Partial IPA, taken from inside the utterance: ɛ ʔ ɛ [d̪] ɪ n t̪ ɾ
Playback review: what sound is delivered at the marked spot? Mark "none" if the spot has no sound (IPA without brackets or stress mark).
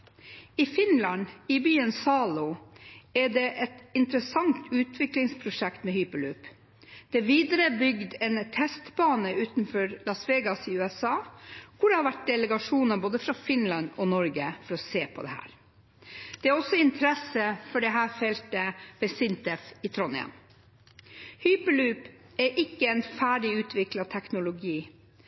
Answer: t̪